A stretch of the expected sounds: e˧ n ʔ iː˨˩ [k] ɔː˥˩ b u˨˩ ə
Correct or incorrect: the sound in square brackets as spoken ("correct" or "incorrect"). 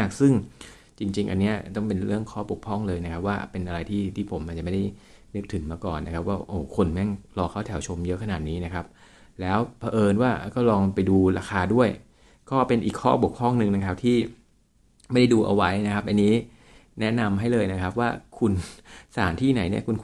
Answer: incorrect